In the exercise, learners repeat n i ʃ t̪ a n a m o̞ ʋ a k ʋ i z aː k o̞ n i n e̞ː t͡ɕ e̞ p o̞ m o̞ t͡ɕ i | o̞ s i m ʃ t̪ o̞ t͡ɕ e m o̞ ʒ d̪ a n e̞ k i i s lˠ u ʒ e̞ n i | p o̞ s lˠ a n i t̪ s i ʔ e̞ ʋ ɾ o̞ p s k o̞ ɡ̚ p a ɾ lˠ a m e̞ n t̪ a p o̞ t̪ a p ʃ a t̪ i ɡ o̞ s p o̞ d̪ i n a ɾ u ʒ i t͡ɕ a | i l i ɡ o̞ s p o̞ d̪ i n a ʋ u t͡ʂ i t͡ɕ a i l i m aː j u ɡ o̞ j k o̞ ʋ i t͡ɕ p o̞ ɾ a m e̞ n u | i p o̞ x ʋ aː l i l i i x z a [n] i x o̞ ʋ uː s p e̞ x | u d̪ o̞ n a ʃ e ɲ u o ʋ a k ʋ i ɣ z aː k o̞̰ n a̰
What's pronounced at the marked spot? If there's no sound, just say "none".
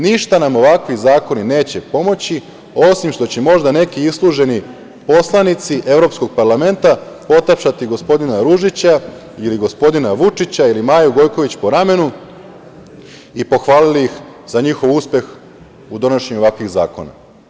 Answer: ɲ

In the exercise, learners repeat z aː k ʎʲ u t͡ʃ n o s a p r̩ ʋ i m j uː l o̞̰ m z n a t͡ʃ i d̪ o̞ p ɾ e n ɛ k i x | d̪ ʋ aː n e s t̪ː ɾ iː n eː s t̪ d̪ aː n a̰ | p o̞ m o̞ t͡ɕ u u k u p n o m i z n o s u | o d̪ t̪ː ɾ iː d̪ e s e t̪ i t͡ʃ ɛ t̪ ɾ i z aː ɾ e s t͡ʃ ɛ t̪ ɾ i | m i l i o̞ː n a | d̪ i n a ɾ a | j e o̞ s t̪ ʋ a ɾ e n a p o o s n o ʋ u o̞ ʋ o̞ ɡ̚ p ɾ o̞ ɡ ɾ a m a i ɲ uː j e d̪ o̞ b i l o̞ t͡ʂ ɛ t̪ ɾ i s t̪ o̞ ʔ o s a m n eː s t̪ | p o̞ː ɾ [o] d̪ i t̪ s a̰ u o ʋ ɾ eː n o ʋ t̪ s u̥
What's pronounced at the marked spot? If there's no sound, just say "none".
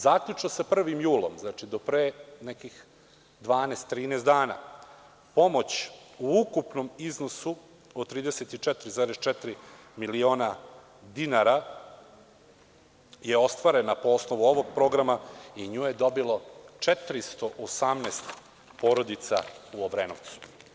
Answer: o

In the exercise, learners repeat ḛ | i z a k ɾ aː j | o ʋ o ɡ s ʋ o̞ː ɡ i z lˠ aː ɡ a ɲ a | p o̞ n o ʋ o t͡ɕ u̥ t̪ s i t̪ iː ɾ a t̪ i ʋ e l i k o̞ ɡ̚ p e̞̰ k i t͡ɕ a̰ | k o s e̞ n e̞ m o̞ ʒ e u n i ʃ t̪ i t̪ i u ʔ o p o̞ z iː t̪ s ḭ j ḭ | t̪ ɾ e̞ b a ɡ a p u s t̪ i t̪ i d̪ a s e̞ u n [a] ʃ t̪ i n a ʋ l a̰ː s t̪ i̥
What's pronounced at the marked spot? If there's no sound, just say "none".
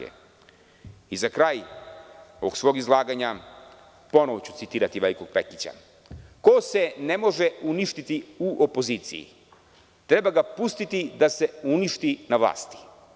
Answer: i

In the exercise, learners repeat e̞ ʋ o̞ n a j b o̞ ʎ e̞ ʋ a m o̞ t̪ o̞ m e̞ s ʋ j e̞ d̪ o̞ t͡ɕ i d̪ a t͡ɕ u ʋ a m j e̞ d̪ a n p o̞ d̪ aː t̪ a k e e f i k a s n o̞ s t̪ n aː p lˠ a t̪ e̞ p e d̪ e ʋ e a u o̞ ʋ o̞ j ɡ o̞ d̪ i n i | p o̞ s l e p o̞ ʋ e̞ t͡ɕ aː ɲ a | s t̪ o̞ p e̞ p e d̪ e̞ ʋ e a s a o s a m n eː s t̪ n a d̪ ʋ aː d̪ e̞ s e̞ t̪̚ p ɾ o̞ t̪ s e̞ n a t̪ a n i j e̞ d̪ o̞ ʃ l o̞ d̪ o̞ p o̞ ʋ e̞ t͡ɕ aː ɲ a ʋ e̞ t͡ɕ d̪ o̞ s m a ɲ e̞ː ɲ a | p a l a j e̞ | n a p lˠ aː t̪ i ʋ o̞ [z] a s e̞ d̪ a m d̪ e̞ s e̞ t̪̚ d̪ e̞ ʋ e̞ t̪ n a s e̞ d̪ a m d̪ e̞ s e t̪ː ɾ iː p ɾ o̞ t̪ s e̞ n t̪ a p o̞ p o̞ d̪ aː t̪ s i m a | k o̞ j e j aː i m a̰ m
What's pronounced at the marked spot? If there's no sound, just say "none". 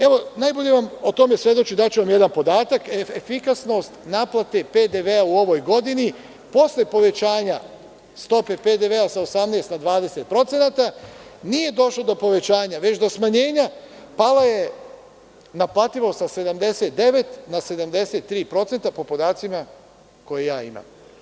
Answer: s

